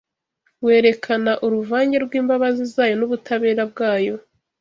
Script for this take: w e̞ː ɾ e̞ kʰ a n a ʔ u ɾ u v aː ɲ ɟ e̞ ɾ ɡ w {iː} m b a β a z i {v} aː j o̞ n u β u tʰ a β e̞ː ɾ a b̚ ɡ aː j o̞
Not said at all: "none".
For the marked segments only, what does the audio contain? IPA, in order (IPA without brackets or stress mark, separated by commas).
iː, z